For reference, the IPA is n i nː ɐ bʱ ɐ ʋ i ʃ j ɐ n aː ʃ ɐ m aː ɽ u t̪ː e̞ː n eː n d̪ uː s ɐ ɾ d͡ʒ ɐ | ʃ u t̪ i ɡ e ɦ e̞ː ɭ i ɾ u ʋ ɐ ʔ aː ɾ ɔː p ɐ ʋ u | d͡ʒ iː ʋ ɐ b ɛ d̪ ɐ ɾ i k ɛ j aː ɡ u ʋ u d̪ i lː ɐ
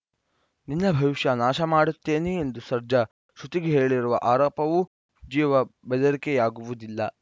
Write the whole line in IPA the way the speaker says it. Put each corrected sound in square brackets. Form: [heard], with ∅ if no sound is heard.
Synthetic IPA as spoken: n i nː ɐ bʱ ɐ ʋ i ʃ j ɐ n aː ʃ ɐ m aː ɽ u t̪ː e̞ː n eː n d̪ [u] s ɐ ɾ d͡ʒ ɐ | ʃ u t̪ i ɡ e ɦ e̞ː ɭ i ɾ u ʋ ɐ ʔ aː ɾ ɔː p ɐ ʋ u | d͡ʒ iː ʋ ɐ b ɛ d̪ ɐ ɾ i k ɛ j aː ɡ u ʋ u d̪ i lː ɐ